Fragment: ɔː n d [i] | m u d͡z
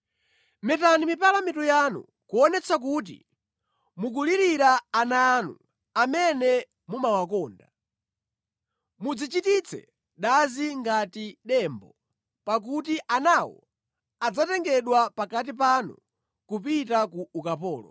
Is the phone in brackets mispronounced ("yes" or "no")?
yes